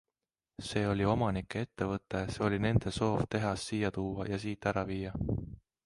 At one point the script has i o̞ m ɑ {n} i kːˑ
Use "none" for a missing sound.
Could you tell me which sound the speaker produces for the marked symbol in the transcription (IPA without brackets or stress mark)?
n